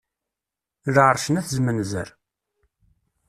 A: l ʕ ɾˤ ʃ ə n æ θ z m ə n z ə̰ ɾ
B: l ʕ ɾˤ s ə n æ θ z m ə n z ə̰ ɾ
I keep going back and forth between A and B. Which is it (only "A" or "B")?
A